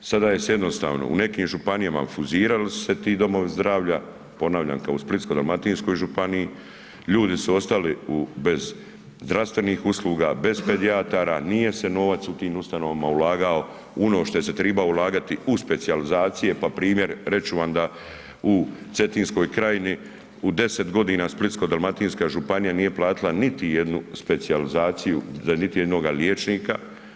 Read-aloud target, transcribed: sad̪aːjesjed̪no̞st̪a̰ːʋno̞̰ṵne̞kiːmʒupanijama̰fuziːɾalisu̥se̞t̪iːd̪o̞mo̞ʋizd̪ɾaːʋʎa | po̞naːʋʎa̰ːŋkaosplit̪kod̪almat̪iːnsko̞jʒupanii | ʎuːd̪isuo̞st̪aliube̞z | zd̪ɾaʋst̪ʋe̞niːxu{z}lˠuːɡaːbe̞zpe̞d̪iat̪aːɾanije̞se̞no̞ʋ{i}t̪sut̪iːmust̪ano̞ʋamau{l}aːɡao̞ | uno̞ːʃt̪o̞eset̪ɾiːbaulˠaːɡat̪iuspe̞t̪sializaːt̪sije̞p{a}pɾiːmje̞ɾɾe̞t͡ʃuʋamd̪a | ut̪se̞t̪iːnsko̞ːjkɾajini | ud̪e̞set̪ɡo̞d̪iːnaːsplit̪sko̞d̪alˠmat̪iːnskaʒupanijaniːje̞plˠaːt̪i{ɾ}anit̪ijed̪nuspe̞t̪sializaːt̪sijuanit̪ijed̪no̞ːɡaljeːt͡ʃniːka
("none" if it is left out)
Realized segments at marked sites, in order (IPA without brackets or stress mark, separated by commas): s, a, l, a, l